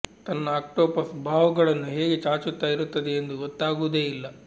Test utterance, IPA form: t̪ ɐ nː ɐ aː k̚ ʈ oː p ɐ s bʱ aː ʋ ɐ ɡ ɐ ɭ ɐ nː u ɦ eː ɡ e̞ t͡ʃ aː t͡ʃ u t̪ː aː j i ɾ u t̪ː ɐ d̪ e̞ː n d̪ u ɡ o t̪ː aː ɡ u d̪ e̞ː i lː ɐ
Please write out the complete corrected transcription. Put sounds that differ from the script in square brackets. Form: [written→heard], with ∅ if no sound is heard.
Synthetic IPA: t̪ ɐ nː ɐ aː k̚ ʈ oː p ɐ s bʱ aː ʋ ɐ ɡ ɐ ɭ ɐ nː u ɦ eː ɡ e̞ t͡ʃ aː t͡ʃ u t̪ː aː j i ɾ u t̪ː ɐ d̪ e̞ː n d̪ u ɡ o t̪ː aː ɡ u d̪ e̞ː i lː ɐ